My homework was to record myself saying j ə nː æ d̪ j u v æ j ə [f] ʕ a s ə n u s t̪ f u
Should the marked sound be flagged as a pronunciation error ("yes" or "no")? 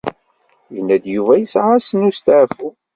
yes